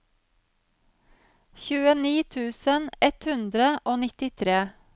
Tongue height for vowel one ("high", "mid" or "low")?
high